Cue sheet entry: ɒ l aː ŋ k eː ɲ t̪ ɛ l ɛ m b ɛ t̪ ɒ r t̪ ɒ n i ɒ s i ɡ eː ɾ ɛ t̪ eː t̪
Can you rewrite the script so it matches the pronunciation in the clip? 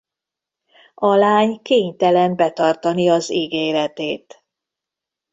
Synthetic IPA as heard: ɒ l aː ɲ k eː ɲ t̪ ɛ l ɛ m b ɛ t̪ ɒ r t̪ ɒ n i ɒ z i ɡ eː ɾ ɛ t̪ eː t̪